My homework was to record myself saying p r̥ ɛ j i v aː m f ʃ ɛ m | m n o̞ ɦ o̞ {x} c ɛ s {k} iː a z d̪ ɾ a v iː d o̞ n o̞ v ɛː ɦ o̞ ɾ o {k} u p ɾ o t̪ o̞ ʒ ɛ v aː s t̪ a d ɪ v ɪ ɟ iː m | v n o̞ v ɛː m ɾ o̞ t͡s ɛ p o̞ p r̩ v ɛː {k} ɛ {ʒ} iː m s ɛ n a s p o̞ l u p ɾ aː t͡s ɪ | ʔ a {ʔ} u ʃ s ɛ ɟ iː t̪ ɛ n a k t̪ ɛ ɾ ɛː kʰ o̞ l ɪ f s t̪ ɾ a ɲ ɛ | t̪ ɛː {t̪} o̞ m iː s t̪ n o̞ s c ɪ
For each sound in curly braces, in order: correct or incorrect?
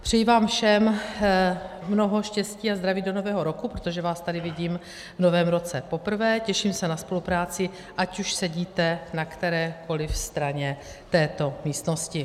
incorrect: ʃ, incorrect: c, correct, incorrect: c, incorrect: ʃ, incorrect: c, correct

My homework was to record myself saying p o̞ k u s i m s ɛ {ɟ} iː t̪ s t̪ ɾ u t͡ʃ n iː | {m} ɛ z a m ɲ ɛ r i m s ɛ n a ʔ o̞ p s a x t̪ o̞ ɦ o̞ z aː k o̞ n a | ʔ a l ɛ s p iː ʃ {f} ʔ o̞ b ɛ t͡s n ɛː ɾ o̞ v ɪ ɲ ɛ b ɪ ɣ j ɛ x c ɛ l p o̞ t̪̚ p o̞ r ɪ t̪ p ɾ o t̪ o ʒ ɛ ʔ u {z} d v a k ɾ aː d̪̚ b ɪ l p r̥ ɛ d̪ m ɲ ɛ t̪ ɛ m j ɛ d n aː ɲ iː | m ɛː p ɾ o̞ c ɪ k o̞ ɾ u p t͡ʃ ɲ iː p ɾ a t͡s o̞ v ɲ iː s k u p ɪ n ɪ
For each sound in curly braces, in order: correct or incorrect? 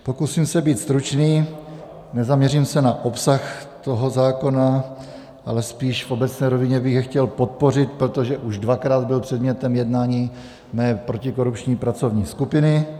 incorrect: b, incorrect: n, correct, incorrect: ʒ

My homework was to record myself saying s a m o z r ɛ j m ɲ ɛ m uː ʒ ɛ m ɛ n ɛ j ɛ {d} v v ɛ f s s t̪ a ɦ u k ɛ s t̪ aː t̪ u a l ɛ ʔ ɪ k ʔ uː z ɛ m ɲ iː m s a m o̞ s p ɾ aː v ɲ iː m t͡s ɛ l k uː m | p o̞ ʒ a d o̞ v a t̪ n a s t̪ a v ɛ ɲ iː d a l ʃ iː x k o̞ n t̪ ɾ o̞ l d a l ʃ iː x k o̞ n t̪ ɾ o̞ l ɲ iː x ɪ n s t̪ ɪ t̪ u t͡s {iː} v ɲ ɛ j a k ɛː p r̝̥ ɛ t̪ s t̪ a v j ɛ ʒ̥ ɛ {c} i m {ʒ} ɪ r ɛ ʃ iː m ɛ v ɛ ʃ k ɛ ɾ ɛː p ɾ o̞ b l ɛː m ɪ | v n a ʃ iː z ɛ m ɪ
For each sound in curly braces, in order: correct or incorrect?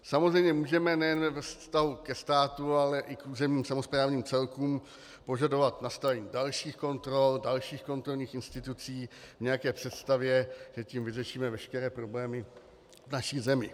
incorrect: n, correct, correct, incorrect: v

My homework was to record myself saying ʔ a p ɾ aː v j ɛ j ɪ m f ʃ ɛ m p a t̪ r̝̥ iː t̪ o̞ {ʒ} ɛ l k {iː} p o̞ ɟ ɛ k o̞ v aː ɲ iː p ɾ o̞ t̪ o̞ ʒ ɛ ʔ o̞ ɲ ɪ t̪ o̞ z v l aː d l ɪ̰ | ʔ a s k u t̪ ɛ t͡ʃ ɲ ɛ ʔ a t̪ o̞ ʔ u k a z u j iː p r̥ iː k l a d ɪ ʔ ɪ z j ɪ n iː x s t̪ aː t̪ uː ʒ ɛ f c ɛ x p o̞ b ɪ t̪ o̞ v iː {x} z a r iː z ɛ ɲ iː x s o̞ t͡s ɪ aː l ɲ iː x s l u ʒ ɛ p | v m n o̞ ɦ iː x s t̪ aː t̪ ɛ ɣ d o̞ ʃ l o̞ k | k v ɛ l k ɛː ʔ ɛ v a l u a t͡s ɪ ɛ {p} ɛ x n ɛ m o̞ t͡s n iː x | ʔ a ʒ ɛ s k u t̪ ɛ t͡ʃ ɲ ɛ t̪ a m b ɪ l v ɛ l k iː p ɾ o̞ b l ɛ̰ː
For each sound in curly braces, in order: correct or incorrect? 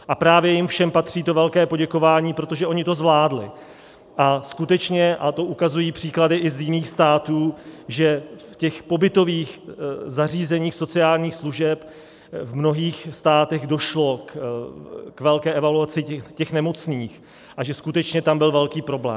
incorrect: v, incorrect: ɛː, correct, incorrect: c

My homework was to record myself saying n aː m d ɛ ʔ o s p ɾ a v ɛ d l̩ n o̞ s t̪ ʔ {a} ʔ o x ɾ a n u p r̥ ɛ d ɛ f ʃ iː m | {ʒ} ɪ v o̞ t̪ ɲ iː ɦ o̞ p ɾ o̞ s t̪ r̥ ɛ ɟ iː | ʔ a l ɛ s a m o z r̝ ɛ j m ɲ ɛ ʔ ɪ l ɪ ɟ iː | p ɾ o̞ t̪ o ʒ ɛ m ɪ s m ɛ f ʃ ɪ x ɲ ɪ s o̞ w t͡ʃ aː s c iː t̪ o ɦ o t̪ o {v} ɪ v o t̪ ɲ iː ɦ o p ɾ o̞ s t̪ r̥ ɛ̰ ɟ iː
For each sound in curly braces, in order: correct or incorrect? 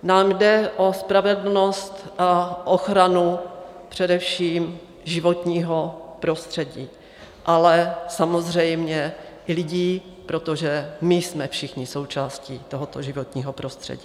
correct, correct, incorrect: ʒ

